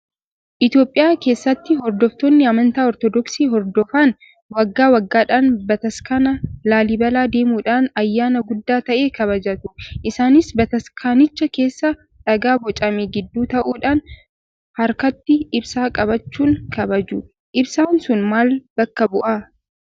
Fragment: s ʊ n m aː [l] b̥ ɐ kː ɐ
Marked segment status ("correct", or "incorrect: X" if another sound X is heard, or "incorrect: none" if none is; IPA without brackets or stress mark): correct